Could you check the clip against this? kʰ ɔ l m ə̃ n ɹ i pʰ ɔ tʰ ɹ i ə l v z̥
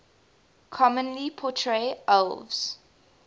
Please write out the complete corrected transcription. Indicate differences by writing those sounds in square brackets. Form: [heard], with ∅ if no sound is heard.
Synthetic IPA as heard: kʰ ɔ [∅] m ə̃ n [l] i pʰ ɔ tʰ ɹ [e] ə l v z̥